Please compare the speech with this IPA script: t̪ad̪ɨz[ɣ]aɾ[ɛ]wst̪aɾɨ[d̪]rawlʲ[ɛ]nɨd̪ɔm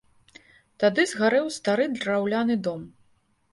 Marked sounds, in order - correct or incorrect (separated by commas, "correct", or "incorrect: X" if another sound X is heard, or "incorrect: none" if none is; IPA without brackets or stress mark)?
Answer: correct, correct, correct, incorrect: a